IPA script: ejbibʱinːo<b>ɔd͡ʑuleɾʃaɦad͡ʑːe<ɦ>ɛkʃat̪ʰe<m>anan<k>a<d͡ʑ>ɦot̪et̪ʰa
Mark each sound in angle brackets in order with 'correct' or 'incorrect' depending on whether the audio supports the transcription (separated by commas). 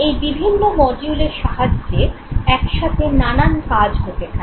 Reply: incorrect, incorrect, incorrect, correct, correct